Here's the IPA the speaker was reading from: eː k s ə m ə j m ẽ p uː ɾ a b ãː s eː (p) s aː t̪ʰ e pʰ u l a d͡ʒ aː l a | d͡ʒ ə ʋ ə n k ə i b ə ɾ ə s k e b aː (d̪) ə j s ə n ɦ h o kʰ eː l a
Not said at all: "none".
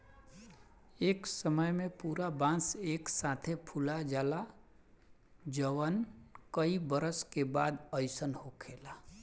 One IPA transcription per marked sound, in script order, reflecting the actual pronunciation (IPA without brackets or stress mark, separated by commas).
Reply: k, d̪